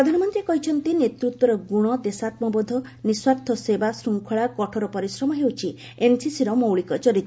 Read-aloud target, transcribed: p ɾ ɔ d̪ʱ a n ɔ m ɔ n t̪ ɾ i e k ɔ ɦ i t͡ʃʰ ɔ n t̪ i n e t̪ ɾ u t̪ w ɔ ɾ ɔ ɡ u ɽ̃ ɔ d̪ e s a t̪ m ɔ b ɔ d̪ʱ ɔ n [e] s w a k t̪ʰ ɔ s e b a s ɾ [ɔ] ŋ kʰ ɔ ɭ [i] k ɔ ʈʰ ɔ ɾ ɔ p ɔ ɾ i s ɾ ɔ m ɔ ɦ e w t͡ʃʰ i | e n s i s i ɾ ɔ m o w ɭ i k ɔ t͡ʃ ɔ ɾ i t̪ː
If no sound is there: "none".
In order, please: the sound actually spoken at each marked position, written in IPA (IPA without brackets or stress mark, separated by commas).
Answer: i, u, a